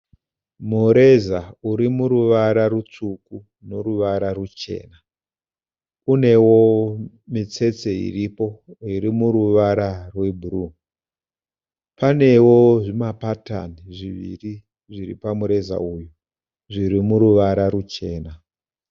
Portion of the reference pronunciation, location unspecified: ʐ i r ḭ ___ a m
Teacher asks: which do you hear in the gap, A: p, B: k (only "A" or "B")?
A